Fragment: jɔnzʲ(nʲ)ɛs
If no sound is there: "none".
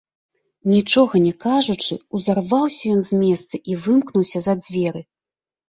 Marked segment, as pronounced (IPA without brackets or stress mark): mʲ